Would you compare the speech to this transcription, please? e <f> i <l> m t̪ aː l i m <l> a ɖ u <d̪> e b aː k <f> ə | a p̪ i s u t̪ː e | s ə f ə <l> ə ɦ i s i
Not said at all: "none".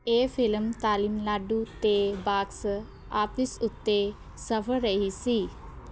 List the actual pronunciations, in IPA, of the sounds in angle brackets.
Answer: f, l, l, t̪, s, ɾ

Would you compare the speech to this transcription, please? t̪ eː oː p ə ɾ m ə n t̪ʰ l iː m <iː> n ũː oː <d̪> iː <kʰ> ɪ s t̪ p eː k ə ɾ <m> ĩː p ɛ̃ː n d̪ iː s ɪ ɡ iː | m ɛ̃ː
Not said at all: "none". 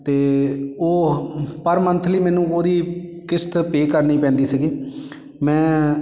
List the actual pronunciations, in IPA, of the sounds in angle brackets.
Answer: ɛː, d̪, k, n

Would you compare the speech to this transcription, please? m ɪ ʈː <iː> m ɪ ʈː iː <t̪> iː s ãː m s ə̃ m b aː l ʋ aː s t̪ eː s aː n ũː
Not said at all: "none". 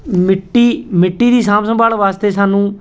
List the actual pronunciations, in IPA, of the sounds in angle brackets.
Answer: iː, d̪

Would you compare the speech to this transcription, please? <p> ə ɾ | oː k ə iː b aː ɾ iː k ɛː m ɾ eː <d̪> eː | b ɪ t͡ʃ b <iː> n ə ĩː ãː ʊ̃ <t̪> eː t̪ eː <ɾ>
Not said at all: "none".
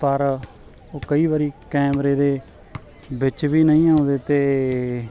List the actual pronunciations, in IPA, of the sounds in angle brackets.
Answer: p, d̪, iː, d̪, none

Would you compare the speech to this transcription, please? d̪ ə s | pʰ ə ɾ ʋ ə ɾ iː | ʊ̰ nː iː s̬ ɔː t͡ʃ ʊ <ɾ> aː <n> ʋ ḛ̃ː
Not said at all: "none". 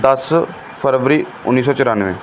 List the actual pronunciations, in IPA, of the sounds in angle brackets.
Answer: ɾ, n

